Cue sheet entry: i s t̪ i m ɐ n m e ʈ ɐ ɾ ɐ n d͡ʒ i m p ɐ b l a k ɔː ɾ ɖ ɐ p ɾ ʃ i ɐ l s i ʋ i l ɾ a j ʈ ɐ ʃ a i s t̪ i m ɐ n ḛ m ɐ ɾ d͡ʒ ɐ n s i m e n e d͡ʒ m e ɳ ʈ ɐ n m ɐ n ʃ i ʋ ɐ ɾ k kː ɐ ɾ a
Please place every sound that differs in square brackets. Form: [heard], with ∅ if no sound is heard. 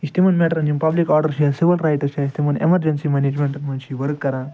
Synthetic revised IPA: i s t̪ i m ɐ n m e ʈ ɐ ɾ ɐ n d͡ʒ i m p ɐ b l [i] k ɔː ɾ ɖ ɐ [∅] ɾ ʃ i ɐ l s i ʋ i l ɾ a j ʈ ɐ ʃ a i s t̪ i m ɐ n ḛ m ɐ ɾ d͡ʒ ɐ n s i m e n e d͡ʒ m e ɳ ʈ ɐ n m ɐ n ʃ i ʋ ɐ ɾ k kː ɐ ɾ a